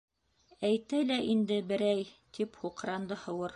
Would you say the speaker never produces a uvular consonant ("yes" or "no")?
no